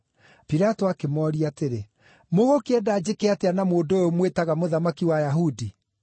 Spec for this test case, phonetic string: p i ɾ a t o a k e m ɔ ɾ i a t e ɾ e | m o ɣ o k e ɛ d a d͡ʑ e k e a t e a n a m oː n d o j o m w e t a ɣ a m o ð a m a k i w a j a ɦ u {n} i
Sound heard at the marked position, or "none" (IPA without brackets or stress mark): d